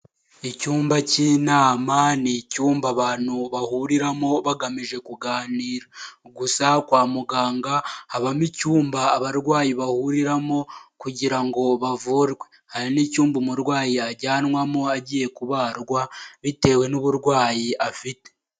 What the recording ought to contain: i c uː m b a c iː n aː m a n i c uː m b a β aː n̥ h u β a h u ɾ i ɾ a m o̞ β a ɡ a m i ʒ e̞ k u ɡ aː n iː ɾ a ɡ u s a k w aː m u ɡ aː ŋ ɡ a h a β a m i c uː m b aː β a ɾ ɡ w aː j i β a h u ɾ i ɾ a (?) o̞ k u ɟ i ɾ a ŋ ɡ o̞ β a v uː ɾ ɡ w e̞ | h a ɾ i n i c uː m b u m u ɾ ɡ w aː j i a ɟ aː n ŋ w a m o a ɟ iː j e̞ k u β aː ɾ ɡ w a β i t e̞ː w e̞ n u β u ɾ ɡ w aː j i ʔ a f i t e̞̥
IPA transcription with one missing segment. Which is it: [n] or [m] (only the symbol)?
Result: m